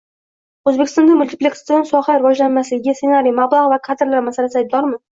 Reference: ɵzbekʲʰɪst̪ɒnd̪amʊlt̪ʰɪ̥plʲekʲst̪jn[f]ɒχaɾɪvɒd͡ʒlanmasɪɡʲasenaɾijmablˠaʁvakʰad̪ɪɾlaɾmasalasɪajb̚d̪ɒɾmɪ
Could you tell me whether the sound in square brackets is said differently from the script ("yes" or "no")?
yes